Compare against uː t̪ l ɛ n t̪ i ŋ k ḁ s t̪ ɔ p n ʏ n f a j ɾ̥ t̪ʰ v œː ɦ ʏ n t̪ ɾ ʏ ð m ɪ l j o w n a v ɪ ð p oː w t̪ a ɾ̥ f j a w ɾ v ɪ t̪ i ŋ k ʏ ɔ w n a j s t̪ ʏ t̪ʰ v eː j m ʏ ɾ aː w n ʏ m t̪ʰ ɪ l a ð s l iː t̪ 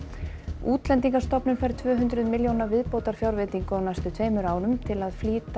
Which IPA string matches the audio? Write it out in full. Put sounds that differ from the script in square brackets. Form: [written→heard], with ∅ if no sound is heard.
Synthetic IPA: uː t̪ l ɛ n t̪ i ŋ k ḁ s t̪ ɔ p n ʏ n f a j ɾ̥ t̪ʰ v œː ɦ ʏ n t̪ ɾ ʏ ð m ɪ l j o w n a v ɪ ð p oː w t̪ a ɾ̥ f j a w ɾ v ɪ t̪ i ŋ k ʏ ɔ w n a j s t̪ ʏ t̪ʰ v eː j m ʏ ɾ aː w n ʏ m t̪ʰ ɪ l a ð [s→f] l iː t̪

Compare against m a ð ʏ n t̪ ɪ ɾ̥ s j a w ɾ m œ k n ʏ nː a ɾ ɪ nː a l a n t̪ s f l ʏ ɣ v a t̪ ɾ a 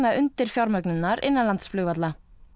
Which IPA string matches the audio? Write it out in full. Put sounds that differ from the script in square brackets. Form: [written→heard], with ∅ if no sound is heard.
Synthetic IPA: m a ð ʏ n t̪ ɪ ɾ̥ [s→f] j a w ɾ m œ k n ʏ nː a ɾ ɪ nː a l a n t̪ s f l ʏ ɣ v a t̪ [ɾ→l] a

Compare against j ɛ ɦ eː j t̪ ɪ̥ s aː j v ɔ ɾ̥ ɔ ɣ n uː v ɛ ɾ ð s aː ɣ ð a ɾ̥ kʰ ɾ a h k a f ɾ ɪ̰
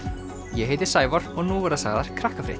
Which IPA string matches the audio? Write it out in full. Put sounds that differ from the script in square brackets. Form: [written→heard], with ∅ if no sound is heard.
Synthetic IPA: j ɛ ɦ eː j t̪ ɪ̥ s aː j v ɔ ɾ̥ ɔ ɣ n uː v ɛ ɾ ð s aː ɣ ð a ɾ̥ kʰ ɾ a h k a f ɾ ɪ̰

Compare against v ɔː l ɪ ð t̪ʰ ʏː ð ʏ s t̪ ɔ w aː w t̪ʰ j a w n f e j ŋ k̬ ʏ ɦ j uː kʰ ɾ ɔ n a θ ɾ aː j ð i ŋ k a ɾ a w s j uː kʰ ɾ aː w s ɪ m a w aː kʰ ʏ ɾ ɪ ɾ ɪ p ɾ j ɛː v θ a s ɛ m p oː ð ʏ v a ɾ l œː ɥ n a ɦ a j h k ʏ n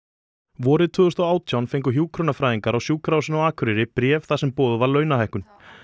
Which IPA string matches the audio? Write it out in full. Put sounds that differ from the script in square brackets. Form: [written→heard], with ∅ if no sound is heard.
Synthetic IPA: v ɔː [l→ɾ] ɪ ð t̪ʰ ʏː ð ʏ s t̪ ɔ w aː w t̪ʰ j a w n f e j ŋ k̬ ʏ ɦ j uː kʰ ɾ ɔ n a [θ→f] ɾ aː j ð i ŋ k a ɾ a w s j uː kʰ ɾ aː w s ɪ [m→n] a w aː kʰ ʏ ɾ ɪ ɾ ɪ p ɾ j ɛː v θ a s ɛ m p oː ð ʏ v a ɾ l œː ɥ n a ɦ a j h k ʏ n

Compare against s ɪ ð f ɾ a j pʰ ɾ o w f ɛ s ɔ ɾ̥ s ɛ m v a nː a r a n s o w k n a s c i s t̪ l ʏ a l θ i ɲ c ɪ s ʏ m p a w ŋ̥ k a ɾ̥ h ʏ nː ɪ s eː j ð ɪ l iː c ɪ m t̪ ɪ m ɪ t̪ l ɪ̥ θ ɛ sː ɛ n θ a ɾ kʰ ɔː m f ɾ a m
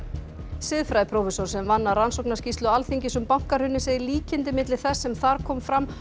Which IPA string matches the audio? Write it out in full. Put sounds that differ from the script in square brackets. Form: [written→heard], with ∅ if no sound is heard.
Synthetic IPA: s ɪ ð f ɾ a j pʰ ɾ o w f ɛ s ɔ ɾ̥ s ɛ m v a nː a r a n s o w k n a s c i s t̪ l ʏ a l θ i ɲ c ɪ s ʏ m p a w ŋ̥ k a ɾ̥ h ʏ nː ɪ s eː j ð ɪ l iː c ɪ [m→n] t̪ ɪ m ɪ t̪ l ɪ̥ θ ɛ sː ɛ [n→m] θ a ɾ kʰ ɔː m f ɾ a m

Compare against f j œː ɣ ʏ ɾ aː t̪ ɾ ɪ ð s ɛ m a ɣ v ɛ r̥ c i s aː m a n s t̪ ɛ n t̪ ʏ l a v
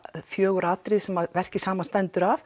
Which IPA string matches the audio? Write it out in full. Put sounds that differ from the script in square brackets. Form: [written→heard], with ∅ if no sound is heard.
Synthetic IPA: f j œː ɣ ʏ ɾ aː t̪ ɾ ɪ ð s ɛ m a [ɣ→ð] v ɛ r̥ c [i→ɪ] s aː m a n s t̪ ɛ n t̪ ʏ [l→ɾ] a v

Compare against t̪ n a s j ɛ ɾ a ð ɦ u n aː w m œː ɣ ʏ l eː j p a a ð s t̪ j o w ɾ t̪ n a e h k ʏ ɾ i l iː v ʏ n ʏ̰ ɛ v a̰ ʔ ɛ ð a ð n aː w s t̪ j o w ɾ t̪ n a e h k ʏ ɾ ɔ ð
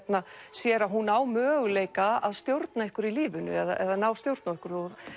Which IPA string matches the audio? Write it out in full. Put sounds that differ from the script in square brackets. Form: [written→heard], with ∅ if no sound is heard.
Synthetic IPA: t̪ n a s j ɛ ɾ a ð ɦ u n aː w m œː ɣ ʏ l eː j [p→k] a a ð s t̪ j o w ɾ t̪ n a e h k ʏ ɾ i l iː v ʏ n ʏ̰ ɛ [v→ð] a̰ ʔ ɛ ð a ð n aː w s t̪ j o w ɾ t̪ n a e h k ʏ ɾ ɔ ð

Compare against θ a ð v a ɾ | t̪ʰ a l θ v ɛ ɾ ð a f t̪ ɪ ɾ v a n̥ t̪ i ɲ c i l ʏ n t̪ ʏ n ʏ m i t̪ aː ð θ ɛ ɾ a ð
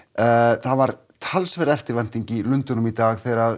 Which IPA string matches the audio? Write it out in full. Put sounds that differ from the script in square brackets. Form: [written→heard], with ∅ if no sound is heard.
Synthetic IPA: θ a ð v a ɾ | t̪ʰ a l [θ→s] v ɛ ɾ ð [a→ɛ] f t̪ ɪ ɾ v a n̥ t̪ i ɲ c i l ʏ n t̪ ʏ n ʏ m i t̪ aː [ð→ɣ] θ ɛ ɾ a ð

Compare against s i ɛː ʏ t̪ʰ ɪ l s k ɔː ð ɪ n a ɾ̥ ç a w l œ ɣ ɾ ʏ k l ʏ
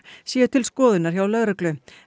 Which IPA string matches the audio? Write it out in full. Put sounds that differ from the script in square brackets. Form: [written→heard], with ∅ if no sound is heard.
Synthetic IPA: s [i→j] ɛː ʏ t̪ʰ ɪ l s k ɔː ð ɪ n a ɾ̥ ç a w l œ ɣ ɾ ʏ k l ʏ

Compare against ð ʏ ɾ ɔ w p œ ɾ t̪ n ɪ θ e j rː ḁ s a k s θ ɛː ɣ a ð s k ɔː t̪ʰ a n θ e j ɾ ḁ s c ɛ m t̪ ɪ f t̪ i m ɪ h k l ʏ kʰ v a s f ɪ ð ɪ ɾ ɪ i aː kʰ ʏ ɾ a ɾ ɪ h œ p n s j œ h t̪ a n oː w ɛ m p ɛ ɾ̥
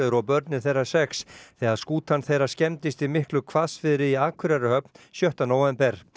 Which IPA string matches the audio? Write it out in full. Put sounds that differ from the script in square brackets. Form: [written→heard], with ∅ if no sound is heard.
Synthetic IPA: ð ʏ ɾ ɔ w p œ ɾ t̪ n ɪ θ e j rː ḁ s [a→ɛ] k s θ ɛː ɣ a ð s k [ɔː→uː] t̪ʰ a n θ e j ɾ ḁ s c ɛ m t̪ ɪ [f→s] t̪ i m ɪ h k l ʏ kʰ v a s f ɪ ð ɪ ɾ ɪ i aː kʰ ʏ ɾ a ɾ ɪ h œ p n s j œ h t̪ a n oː w ɛ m p ɛ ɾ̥

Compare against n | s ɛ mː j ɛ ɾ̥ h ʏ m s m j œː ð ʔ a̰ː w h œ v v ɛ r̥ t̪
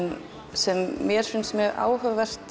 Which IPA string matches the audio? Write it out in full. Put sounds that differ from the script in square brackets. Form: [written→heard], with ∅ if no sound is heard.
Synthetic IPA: n | s ɛ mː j ɛ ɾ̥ [h→f] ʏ [m→n] s m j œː [ð→ɣ] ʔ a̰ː w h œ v v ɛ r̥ t̪

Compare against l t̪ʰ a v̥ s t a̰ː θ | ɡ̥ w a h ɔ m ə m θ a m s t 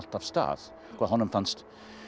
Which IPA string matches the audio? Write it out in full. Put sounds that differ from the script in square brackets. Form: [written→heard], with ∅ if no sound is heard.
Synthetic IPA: l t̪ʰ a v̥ s t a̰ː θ | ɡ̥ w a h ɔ [m→n] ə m [θ→f] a [m→n] s t

